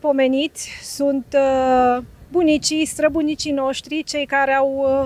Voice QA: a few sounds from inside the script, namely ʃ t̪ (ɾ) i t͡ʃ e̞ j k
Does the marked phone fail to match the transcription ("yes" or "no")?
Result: no